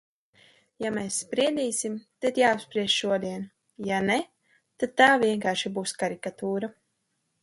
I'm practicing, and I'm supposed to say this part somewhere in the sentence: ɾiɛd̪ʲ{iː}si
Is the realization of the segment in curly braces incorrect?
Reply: no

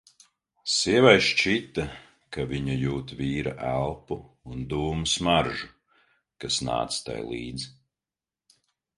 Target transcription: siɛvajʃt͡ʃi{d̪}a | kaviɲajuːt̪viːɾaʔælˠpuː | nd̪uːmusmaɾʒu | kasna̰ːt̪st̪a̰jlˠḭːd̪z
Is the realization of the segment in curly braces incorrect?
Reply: yes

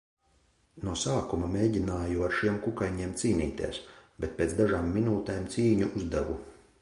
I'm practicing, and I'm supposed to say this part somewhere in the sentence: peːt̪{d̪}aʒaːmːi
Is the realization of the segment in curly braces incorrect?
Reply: no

